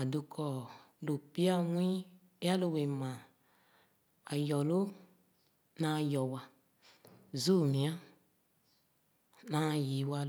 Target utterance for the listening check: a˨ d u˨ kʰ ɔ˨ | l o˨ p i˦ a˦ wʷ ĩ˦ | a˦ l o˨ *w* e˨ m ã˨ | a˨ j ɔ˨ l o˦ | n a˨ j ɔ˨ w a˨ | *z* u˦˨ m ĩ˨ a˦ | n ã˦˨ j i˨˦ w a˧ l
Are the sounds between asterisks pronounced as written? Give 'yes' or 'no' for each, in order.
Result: yes, yes

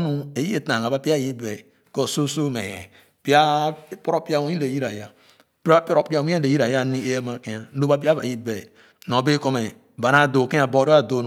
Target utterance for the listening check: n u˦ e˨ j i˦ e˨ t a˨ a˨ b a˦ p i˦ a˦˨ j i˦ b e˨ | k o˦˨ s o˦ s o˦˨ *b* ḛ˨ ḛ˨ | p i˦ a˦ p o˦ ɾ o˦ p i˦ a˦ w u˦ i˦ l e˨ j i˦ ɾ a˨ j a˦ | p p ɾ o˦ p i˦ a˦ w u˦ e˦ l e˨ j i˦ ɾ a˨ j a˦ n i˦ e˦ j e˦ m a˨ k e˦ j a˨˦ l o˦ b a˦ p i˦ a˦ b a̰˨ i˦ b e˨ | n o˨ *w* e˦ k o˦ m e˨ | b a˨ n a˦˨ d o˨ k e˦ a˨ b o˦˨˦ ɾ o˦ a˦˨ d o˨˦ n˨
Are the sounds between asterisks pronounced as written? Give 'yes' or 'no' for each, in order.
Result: no, no

